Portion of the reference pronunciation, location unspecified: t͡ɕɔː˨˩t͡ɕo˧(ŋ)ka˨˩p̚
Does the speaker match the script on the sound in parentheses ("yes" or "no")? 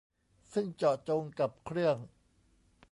yes